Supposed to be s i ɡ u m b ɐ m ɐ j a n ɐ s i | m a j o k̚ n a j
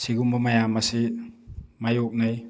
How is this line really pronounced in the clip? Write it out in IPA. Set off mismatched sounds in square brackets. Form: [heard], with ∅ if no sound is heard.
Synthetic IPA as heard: s i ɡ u m b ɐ m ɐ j a [m] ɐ s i | m a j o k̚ n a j